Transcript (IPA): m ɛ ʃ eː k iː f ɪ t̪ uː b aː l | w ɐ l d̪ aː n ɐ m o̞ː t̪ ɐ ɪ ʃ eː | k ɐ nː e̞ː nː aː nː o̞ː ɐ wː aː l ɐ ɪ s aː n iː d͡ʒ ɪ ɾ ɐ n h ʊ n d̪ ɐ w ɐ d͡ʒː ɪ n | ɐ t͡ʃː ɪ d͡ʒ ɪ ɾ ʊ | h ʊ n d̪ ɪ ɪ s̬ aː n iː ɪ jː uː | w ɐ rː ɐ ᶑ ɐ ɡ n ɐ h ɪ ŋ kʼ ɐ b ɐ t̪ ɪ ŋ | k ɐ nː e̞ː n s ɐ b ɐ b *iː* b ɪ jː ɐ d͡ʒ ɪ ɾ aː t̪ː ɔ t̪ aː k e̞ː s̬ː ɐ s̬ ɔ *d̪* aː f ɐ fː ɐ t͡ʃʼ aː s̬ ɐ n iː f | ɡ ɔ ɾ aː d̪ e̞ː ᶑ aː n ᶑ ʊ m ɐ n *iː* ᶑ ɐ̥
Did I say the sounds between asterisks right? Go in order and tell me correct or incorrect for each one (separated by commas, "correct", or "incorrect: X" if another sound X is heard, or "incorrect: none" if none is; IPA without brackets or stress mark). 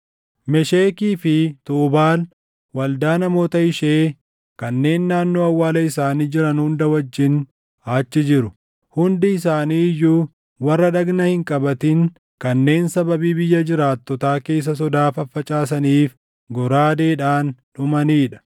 correct, correct, correct